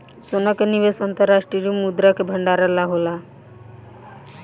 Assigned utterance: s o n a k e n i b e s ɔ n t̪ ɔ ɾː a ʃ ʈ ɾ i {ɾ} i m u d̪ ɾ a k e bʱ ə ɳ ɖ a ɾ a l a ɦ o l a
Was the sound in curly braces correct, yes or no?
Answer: yes